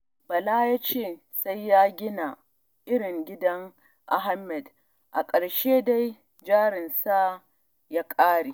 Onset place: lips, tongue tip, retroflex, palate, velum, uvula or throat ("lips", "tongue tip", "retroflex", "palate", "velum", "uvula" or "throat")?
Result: lips